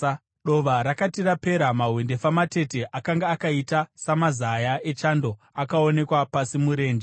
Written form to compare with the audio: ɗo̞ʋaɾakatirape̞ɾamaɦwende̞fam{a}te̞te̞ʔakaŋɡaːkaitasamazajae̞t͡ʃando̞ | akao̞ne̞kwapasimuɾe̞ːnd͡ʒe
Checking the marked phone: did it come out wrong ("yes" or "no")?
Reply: no